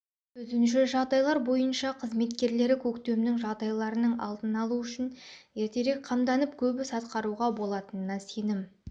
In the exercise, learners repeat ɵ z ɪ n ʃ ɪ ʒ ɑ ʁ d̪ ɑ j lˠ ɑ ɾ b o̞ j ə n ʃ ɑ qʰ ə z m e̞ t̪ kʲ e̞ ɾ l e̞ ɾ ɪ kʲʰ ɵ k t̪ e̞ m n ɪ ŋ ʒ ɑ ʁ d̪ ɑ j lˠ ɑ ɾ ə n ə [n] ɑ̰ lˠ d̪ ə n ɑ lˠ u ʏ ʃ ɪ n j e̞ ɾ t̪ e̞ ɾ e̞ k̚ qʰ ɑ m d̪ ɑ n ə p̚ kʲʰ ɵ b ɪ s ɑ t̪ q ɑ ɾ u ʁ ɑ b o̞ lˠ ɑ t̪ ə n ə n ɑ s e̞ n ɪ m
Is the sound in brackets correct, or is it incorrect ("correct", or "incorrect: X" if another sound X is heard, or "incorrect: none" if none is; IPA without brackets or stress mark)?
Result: incorrect: ɴ